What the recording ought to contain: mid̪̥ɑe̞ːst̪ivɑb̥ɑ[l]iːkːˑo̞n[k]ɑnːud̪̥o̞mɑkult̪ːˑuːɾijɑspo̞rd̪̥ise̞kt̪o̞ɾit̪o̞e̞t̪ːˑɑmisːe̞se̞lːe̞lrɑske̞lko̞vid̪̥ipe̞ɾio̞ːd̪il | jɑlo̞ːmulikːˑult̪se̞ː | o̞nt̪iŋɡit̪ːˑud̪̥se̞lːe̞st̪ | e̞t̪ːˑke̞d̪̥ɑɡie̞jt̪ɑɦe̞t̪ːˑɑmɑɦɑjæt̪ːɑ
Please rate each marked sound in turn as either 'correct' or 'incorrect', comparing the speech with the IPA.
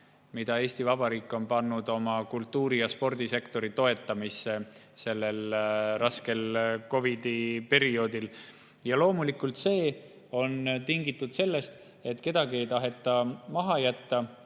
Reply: incorrect: ɾ, incorrect: p

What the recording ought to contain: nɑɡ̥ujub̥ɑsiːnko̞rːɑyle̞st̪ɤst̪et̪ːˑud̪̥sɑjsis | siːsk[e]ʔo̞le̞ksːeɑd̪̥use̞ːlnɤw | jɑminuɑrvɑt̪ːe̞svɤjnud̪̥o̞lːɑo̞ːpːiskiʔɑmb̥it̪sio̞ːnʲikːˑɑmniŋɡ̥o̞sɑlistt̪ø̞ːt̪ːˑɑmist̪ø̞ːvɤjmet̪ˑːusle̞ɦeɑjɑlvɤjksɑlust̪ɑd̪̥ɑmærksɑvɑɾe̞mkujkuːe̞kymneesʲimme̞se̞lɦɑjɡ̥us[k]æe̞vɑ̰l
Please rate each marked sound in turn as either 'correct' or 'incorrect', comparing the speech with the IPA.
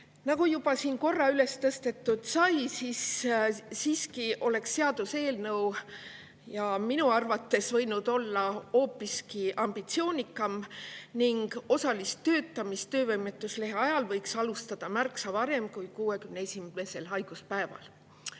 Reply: incorrect: i, incorrect: p

